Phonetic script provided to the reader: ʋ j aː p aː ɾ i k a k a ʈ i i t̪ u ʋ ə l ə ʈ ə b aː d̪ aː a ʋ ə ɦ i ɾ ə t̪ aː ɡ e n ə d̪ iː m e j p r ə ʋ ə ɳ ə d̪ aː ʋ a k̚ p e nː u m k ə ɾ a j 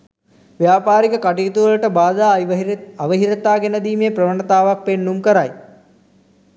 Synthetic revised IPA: ʋ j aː p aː ɾ i k ə k a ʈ i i t̪ u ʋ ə l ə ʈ ə b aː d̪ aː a ʋ ə ɦ i ɾ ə t̪ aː ɡ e n ə d̪ iː m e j p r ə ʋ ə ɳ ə t̪ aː ʋ a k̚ p e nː u m k ə ɾ a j

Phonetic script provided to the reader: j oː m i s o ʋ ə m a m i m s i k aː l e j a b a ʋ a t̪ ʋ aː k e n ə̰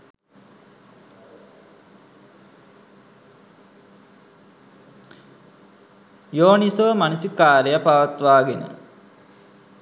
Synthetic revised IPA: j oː n i s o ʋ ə m a n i s i k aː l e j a p a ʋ a t̪ ʋ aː ɡ e n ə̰

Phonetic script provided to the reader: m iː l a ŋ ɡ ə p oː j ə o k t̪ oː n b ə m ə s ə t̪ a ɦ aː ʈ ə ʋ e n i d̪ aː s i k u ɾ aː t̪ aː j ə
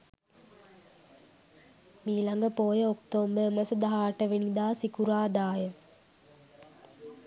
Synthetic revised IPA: m iː l a ŋ ɡ ə p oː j ə o k t̪ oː m b ə m ə s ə d̪ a ɦ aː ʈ ə ʋ e n i d̪ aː s i k u ɾ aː d̪ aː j ə

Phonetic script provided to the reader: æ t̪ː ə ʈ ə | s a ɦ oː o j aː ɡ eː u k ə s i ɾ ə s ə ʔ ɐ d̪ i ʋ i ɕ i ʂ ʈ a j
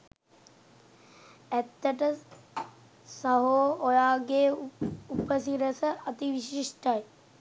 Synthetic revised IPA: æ t̪ː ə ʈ ə | s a ɦ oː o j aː ɡ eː u p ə s i ɾ ə s ə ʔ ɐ t̪ i ʋ i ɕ i ʂ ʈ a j

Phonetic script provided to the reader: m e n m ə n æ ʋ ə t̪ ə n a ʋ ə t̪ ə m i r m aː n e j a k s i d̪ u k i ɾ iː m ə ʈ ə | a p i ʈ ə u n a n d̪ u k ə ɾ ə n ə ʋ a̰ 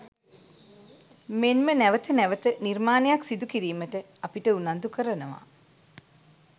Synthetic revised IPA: m e n m ə n æ ʋ ə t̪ ə n æ ʋ ə t̪ ə n i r m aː n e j a k s i d̪ u k i ɾ iː m ə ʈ ə | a p i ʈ ə u n a n d̪ u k ə ɾ ə n ə ʋ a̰

